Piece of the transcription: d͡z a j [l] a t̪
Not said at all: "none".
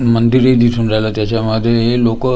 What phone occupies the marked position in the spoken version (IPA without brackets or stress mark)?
l